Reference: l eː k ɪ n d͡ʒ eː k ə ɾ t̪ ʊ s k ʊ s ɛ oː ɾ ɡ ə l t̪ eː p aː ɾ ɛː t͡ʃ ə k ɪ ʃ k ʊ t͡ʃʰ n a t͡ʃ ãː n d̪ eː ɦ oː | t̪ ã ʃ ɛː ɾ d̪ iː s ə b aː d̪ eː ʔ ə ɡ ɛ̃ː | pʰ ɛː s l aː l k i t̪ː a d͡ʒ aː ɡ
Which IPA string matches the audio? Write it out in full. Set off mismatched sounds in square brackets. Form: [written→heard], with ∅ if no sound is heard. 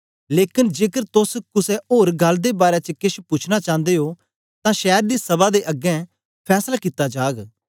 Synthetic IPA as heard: l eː k ɪ n d͡ʒ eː k ə ɾ t̪ ʊ s k ʊ s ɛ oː ɾ ɡ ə l [t̪→d̪] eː [p→b] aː ɾ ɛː t͡ʃ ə k ɪ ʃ [k→p] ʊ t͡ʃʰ n a t͡ʃ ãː n d̪ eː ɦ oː | t̪ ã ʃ ɛː ɾ d̪ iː s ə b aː d̪ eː ʔ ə ɡ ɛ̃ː | pʰ ɛː s l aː [l→∅] k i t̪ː a d͡ʒ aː ɡ